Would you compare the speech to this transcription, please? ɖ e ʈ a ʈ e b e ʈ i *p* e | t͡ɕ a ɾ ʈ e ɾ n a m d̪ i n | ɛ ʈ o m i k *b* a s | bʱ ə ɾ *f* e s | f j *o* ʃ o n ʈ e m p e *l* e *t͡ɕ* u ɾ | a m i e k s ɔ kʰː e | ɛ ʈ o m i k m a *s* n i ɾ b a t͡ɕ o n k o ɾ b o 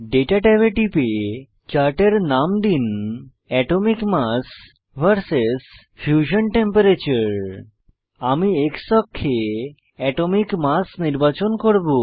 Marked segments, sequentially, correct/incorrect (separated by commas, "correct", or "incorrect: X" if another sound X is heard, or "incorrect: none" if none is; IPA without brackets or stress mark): correct, incorrect: m, incorrect: s, incorrect: u, incorrect: ɾ, correct, correct